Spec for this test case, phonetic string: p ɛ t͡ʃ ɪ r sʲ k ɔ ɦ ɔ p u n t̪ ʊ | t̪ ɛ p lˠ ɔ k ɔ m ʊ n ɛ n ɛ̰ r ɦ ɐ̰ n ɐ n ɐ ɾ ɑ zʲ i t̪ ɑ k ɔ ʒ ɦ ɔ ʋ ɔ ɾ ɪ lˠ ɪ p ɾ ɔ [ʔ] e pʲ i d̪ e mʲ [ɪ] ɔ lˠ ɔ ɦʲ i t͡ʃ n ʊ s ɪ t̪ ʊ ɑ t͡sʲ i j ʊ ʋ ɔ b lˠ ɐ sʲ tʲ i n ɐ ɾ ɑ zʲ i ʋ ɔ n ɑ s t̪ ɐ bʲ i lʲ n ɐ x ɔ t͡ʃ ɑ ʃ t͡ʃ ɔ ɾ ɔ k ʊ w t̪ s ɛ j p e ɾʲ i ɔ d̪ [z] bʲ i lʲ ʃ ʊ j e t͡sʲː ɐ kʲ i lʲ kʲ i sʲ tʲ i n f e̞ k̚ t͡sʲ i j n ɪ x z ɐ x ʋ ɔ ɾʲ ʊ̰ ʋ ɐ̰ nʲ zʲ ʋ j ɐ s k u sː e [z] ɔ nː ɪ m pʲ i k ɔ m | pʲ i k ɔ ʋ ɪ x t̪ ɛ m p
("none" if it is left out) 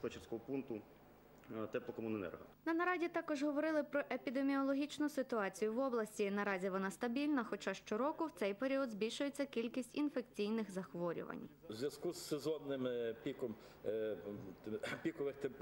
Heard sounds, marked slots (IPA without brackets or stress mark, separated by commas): ʔ, i, z, z